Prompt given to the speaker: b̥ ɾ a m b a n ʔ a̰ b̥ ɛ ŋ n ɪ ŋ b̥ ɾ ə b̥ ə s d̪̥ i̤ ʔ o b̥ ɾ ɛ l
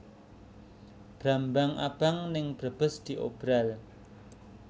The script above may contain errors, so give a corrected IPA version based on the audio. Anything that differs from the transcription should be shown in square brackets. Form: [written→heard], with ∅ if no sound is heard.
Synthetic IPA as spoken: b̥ ɾ a m b a [n→ŋ] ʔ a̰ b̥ [ɛ→a] ŋ n ɪ ŋ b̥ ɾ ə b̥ ə s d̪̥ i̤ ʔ o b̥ ɾ [ɛ→a] l